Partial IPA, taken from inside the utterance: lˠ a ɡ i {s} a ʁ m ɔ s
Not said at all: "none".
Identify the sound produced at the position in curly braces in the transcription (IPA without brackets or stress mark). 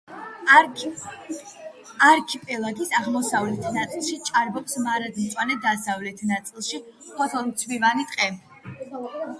s